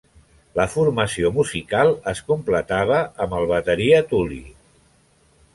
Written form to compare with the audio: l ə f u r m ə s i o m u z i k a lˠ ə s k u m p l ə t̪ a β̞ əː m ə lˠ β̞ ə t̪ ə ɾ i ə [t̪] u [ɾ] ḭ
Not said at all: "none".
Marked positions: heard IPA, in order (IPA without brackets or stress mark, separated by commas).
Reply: t̪, l